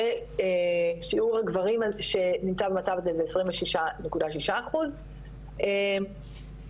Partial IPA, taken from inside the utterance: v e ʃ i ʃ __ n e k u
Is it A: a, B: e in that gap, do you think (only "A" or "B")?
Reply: A